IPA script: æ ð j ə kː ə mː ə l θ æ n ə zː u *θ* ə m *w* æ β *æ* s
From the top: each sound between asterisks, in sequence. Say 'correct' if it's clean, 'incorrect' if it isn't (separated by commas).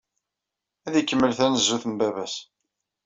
correct, incorrect, correct